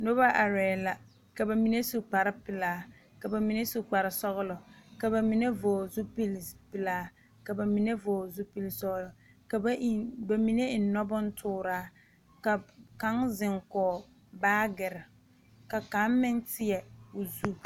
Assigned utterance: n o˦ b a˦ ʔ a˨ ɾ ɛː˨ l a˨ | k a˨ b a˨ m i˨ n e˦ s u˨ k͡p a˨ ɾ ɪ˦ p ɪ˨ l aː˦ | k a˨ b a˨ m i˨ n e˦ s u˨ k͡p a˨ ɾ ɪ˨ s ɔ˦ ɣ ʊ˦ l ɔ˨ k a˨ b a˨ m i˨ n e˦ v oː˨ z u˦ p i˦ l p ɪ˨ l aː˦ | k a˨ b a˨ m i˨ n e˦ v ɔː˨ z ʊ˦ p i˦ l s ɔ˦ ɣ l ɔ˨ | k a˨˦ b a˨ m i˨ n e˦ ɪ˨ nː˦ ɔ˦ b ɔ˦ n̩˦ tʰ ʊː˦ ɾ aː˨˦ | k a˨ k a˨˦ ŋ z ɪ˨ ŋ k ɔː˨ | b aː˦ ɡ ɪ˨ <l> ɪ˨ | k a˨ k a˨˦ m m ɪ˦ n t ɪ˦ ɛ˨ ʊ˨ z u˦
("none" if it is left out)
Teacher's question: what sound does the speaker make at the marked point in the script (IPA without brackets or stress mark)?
ɾ